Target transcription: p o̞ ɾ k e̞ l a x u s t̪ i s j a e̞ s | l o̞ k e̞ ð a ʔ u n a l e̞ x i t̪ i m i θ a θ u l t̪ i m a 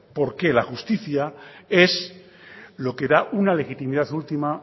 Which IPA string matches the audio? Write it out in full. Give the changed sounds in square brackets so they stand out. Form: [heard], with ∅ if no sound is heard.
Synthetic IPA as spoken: p o̞ ɾ k e̞ l a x u s t̪ i [θ] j a e̞ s | l o̞ k e̞ ð a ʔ u n a l e̞ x i t̪ i m i [ð] a θ u l t̪ i m a